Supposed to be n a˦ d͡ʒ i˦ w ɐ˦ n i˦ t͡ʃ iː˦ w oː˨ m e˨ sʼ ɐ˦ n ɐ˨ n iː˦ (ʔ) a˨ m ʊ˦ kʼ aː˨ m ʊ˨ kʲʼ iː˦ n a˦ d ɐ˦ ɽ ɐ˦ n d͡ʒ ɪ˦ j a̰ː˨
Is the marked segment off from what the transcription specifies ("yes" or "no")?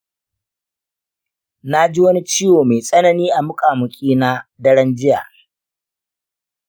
no